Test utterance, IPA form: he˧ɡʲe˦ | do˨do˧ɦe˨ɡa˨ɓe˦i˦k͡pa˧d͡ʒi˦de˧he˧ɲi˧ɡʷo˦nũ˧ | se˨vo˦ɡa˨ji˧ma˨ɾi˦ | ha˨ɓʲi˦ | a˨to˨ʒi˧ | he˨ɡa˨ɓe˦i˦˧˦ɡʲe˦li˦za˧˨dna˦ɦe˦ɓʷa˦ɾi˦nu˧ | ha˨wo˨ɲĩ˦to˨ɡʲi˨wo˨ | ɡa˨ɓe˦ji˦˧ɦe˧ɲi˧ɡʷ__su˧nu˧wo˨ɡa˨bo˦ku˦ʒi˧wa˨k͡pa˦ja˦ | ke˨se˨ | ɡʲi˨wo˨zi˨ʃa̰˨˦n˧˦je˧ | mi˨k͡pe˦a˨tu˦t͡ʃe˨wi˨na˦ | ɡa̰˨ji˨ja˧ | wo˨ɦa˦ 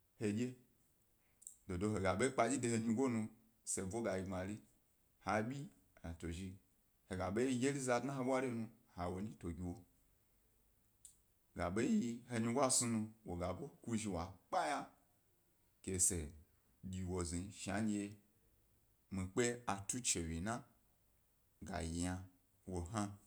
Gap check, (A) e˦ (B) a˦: B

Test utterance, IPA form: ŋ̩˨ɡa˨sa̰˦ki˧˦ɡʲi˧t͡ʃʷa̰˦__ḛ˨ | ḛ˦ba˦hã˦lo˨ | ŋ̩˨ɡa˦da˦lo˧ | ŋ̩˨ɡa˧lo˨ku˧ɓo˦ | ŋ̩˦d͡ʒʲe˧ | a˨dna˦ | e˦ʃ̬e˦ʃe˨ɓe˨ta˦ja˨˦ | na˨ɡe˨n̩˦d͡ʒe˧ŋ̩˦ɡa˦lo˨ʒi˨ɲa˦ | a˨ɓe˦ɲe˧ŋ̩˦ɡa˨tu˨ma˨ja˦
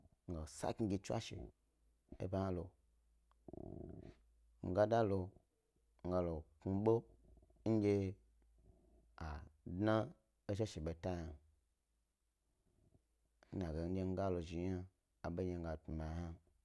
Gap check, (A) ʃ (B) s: A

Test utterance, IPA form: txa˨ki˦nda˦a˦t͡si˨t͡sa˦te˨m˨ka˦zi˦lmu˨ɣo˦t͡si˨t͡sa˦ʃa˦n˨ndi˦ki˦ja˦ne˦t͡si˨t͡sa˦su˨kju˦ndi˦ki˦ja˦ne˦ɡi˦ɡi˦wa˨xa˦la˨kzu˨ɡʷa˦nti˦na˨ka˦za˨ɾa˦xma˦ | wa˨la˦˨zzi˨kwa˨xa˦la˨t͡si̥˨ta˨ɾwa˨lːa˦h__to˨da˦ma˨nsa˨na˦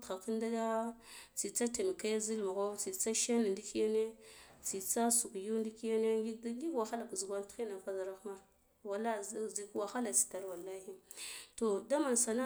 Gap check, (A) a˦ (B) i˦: B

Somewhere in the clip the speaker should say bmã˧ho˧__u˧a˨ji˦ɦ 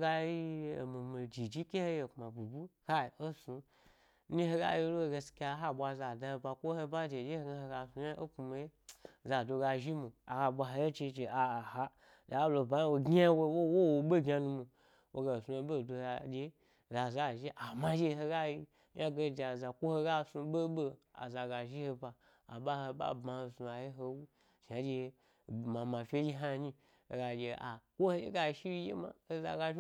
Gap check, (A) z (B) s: B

